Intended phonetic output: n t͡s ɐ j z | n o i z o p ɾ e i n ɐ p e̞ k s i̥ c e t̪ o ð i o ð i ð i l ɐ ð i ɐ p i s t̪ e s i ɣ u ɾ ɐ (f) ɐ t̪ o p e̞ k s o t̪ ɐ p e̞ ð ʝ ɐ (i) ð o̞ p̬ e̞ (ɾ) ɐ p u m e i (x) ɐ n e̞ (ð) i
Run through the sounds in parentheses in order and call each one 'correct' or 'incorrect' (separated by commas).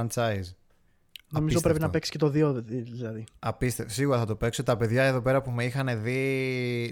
incorrect, incorrect, correct, correct, correct